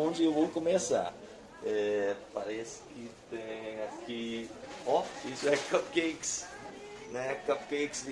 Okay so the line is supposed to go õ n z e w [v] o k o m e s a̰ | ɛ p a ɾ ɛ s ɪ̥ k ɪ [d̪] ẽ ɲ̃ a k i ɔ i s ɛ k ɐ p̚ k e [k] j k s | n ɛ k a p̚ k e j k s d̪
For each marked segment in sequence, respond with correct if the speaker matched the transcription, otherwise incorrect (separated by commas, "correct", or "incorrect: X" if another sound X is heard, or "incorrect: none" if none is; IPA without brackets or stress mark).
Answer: correct, incorrect: t̪, incorrect: none